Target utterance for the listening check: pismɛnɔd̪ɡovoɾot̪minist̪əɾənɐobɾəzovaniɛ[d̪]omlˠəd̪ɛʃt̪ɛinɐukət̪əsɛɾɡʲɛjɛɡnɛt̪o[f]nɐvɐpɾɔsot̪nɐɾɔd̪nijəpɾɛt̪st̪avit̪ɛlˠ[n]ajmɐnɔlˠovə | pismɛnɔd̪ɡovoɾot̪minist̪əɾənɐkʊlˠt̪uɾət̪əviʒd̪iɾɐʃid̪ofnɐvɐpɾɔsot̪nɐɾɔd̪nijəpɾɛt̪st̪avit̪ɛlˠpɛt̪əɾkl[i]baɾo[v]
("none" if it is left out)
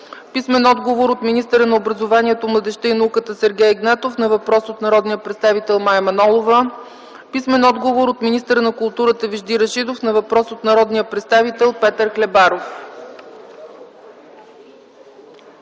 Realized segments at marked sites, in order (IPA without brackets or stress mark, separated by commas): t̪, f, m, ɛ, f